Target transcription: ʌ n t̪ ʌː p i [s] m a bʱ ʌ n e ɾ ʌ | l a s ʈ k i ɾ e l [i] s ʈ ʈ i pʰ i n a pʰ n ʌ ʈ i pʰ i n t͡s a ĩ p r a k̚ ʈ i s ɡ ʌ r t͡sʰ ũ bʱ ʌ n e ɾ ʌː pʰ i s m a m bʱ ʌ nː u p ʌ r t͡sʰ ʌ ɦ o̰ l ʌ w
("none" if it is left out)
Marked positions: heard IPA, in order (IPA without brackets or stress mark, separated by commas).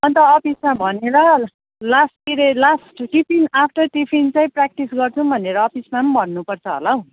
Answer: s, a